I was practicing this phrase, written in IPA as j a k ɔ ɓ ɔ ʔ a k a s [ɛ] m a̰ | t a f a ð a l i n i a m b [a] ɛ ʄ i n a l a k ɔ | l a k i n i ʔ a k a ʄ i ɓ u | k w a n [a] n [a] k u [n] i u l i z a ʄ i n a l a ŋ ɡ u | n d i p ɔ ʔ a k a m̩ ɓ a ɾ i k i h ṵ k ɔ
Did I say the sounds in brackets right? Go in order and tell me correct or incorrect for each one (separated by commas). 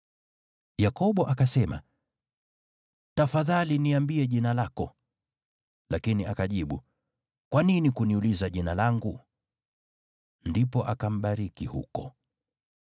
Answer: correct, incorrect, incorrect, incorrect, correct